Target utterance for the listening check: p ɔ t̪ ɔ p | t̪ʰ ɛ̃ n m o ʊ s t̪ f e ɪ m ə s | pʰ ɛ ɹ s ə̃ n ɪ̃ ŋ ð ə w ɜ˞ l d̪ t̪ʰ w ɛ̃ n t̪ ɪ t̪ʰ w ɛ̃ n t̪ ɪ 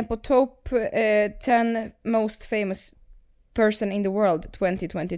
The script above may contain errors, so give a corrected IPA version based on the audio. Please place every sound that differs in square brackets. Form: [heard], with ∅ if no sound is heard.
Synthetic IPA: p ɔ [t̪ʰ] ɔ p | t̪ʰ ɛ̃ n m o ʊ s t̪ f e ɪ m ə s | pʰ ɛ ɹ s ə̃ n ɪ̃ [n] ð ə w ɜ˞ l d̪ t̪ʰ w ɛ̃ n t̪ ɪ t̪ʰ w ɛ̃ n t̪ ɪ